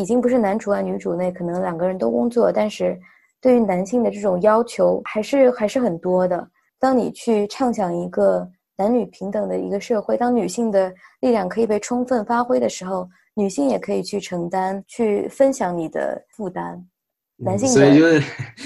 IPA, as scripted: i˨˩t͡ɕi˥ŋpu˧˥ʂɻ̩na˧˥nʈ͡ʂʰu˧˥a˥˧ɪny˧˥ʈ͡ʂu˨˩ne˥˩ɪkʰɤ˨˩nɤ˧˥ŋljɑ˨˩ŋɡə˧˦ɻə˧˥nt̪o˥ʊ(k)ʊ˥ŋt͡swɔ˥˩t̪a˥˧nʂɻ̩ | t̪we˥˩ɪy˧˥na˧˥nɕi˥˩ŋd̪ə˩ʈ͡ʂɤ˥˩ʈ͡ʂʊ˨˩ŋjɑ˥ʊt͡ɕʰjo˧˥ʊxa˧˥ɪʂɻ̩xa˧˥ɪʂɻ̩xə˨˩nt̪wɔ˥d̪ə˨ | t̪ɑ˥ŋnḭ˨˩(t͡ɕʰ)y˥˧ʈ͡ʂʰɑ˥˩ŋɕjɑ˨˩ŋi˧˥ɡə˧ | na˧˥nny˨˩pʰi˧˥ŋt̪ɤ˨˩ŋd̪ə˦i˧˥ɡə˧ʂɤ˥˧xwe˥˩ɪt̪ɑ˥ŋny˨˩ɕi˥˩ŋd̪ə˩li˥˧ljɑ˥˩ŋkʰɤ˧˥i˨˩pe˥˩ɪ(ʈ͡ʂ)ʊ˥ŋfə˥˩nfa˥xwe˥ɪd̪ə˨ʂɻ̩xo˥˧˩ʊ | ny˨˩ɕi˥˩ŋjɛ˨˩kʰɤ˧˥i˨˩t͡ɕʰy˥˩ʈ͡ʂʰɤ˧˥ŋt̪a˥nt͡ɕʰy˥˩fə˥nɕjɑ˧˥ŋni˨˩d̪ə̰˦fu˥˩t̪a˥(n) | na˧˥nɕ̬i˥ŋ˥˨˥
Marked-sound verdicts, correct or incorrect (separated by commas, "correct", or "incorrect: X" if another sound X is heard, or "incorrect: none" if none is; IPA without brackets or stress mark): correct, correct, incorrect: ʈ͡ʂʰ, correct